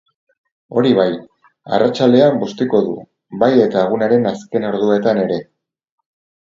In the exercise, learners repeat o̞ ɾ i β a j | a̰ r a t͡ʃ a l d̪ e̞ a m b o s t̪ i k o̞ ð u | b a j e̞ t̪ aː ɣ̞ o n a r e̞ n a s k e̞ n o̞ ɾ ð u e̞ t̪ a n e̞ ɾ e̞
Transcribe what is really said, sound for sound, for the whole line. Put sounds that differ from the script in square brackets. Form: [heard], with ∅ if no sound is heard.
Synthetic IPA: o̞ ɾ i β a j | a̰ r a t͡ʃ a l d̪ e̞ a m b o s t̪ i k o̞ ð u | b a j e̞ t̪ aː ɣ̞ [u] n a [ɾ] e̞ n a s k e̞ n o̞ ɾ ð u e̞ t̪ a n e̞ ɾ e̞